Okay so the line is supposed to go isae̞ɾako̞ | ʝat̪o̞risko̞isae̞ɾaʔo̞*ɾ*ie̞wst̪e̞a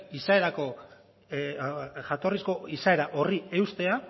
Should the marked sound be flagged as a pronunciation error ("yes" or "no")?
yes